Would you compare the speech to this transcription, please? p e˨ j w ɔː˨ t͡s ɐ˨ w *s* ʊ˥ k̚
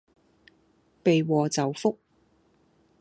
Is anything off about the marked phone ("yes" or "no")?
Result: yes